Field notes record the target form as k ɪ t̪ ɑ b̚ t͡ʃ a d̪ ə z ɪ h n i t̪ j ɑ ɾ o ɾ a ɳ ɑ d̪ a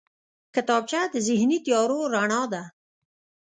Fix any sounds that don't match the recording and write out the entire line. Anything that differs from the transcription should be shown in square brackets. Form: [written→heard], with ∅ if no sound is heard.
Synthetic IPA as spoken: k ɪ t̪ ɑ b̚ t͡ʃ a d̪ ə z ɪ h n i t̪ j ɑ ɾ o ɾ a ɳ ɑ d̪ a